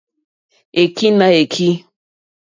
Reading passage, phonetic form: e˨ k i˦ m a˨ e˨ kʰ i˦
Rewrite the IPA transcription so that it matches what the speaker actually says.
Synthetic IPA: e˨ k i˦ n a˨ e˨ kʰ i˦